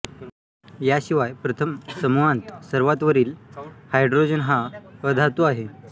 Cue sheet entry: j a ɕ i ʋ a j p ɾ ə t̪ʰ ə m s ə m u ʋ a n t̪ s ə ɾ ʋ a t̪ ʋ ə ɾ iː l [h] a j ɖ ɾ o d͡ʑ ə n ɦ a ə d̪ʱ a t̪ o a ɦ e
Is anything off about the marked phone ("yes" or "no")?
no